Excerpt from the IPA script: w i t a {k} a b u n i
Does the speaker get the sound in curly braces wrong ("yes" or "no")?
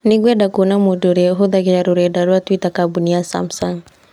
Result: no